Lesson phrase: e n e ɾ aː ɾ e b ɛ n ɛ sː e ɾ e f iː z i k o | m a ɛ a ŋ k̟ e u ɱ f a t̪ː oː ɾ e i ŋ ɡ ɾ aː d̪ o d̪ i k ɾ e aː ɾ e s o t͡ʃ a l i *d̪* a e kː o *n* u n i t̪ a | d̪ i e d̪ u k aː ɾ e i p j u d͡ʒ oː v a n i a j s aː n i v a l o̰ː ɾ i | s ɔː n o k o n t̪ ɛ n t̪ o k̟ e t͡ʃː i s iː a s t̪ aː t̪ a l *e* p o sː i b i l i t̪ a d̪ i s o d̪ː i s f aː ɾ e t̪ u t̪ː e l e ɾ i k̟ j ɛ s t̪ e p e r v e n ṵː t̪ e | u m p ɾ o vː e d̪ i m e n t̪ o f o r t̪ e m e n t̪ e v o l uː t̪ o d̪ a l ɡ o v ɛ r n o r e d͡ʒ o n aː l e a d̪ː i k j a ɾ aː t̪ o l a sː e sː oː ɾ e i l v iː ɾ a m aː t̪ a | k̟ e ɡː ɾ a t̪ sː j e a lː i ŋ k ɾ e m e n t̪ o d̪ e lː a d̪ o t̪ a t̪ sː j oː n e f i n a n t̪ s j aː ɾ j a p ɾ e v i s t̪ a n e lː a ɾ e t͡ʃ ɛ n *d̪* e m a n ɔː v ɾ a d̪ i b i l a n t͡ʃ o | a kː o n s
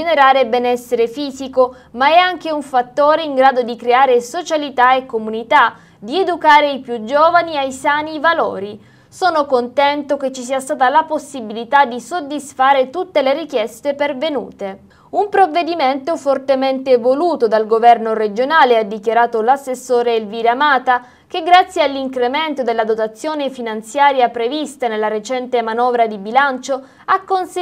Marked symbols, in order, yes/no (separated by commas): no, no, no, no